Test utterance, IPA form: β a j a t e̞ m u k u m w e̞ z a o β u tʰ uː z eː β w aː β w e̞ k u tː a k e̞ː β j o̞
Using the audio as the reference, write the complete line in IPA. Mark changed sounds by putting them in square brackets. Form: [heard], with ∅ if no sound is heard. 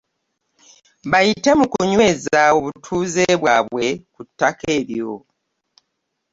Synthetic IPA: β a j [i] t e̞ m u k u [ɲ] w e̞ z a o β u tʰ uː z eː β w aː β w e̞ k u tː a k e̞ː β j o̞